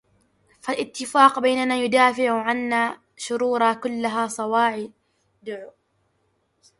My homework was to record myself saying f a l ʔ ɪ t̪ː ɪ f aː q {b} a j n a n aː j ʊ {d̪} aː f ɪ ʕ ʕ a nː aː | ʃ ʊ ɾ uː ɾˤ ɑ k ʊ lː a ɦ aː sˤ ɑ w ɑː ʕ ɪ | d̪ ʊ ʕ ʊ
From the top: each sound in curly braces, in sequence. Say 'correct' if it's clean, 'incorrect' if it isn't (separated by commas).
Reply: correct, correct